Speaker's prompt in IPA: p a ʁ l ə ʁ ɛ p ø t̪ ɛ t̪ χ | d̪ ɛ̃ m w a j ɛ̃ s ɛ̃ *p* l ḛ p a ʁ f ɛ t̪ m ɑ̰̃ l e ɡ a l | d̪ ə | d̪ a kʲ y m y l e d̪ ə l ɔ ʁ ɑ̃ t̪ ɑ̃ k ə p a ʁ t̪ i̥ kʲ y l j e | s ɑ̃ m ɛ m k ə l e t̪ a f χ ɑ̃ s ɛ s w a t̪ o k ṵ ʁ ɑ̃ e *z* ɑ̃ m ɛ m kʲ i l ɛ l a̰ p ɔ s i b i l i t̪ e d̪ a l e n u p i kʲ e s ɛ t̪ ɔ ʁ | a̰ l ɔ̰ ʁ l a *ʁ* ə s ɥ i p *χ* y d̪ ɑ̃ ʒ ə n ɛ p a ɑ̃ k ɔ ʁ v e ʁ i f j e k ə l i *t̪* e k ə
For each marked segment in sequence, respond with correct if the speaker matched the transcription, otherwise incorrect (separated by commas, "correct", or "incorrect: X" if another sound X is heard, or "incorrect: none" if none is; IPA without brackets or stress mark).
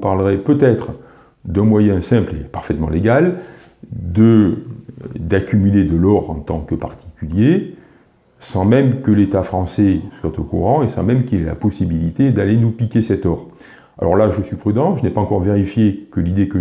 correct, incorrect: s, incorrect: ʒ, correct, incorrect: d̪